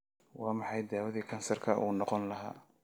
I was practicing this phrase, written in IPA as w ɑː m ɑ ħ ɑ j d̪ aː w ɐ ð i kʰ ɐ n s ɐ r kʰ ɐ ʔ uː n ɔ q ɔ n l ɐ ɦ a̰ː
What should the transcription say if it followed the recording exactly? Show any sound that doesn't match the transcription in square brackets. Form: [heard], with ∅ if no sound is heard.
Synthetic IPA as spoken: w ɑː m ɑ ħ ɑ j d̪ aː w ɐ ð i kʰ ɐ n s ɐ r kʰ ɐ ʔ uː n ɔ q ɔ n l ɐ ɦ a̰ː